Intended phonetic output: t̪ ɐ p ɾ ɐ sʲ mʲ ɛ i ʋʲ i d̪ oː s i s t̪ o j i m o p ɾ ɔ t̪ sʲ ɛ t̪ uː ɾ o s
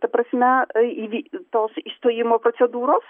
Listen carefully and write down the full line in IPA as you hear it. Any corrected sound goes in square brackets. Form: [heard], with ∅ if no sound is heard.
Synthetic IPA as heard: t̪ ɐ p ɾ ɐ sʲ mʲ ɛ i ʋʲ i [t̪] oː s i s t̪ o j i m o p ɾ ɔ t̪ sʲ ɛ [d̪] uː ɾ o s